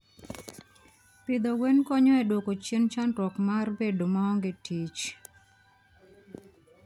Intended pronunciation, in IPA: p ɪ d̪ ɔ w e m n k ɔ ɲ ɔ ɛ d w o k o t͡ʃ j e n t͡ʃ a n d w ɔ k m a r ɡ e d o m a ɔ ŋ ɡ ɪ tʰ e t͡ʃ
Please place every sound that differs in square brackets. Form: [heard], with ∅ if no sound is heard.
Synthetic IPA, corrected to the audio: p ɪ d̪ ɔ w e [∅] n k ɔ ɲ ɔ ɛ d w o k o t͡ʃ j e n t͡ʃ a n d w ɔ k m a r [b] e d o m a ɔ ŋ ɡ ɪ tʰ [i] t͡ʃ